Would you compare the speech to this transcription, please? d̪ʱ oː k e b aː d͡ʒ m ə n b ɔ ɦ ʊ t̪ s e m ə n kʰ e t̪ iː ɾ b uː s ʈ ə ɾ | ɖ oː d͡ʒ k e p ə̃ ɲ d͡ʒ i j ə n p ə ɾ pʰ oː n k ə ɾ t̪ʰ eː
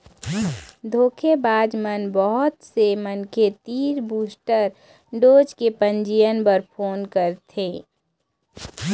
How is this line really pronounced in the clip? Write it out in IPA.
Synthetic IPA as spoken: d̪ʱ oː kʰ e b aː d͡ʒ m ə n b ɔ ɦ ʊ t̪ s e m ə n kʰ e t̪ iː ɾ b uː s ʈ ə ɾ | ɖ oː d͡ʒ k e p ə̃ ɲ d͡ʒ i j ə n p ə ɾ pʰ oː n k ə ɾ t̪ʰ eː